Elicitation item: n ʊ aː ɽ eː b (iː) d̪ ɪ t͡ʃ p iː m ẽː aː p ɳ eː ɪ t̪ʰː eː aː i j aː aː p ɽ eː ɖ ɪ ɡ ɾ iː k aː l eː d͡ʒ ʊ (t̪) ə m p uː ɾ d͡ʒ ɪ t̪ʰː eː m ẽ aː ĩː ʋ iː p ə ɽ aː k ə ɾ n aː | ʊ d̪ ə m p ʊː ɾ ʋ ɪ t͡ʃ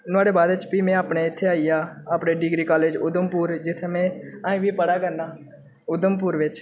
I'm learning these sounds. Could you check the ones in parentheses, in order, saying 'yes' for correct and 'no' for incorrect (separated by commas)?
no, no